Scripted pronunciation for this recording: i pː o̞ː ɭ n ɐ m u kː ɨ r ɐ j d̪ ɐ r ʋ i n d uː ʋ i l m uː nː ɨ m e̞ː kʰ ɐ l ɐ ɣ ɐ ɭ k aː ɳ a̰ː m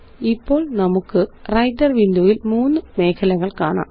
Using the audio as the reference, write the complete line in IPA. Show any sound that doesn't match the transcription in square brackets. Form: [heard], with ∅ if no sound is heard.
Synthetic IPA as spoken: i pː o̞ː ɭ n ɐ m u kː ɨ r ɐ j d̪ ɐ r ʋ i n d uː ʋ i l m uː nː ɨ m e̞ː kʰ ɐ l ɐ ɣ ɐ ɭ k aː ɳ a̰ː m